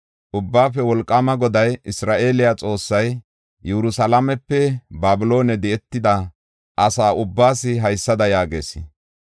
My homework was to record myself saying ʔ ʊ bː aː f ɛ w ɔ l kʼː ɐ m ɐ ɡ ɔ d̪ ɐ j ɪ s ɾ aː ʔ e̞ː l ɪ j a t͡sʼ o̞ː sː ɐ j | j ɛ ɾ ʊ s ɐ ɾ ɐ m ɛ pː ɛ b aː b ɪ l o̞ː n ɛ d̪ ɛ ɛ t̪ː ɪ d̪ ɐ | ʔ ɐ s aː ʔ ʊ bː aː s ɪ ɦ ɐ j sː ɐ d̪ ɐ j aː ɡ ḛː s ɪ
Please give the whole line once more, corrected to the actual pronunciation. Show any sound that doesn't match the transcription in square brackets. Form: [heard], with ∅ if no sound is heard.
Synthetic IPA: ʔ ʊ bː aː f ɛ w ɔ l kʼː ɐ m ɐ ɡ ɔ d̪ ɐ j ɪ s ɾ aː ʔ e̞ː l ɪ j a t͡sʼ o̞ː sː ɐ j | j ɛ ɾ ʊ s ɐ [l] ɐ m ɛ pː ɛ b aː b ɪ l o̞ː n ɛ d̪ ɛ ɛ t̪ː ɪ d̪ ɐ | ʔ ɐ s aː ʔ ʊ bː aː s ɪ ɦ ɐ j sː ɐ d̪ ɐ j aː ɡ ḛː s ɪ